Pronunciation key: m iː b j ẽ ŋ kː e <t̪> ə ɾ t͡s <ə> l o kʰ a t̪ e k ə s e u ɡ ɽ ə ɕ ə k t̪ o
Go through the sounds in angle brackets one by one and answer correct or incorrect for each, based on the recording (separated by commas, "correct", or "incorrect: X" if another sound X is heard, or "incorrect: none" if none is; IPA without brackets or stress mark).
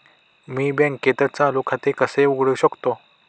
correct, incorrect: a